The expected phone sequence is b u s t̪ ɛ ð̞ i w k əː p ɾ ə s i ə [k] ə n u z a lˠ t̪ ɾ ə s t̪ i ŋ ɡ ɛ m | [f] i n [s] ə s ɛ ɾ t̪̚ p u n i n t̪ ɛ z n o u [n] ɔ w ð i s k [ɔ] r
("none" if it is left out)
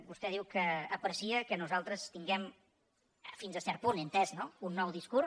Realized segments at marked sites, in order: k, f, z, nː, u

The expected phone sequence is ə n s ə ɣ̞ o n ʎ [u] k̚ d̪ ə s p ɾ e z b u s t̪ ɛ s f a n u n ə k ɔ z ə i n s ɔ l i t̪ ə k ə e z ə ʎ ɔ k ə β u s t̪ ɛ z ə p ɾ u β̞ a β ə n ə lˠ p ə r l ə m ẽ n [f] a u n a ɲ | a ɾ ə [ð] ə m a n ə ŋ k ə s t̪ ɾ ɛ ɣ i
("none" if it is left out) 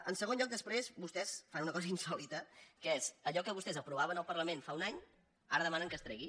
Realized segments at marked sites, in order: ɔ, f, ð

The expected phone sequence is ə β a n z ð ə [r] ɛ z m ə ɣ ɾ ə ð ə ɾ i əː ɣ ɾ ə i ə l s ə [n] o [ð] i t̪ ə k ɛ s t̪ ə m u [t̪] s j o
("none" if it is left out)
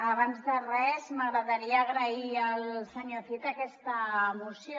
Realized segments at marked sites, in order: r, ɲ, θ, none

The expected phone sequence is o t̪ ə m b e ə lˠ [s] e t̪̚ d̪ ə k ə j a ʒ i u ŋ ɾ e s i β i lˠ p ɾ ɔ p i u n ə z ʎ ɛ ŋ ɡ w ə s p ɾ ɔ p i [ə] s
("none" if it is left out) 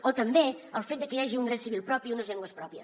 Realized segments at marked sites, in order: f, ə

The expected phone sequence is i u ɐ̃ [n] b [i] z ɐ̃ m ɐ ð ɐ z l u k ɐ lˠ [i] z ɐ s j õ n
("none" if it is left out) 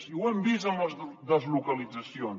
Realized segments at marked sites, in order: m, i, i

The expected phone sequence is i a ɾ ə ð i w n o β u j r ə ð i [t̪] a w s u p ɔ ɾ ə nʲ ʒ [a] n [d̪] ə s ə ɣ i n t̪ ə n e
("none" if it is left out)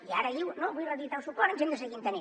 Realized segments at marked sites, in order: t̪, e, d̪

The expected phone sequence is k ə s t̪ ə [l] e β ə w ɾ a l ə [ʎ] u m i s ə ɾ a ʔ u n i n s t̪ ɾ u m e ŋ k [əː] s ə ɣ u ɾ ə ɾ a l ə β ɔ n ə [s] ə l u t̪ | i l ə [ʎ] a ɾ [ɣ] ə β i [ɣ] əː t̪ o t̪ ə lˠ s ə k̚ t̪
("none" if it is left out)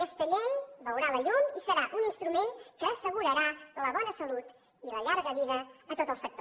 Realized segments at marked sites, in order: ʎ, ʎ, əː, s, ʎ, ɣ, ð

